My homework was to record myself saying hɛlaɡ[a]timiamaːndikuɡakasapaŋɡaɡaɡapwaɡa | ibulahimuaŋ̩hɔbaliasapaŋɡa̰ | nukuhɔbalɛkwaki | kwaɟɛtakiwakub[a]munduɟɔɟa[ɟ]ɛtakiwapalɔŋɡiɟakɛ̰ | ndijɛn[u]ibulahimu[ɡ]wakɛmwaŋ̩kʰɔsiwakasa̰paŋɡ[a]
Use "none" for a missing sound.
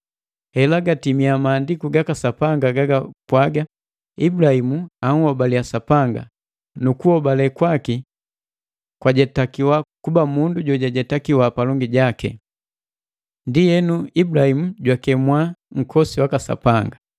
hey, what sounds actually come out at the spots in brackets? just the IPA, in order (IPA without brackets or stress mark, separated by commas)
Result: a, a, ɟ, u, ɟ, a